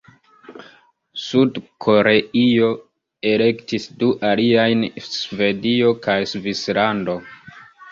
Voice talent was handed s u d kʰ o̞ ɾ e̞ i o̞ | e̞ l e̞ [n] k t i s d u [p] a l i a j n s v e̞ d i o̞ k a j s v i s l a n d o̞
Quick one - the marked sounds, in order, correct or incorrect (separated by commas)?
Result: incorrect, incorrect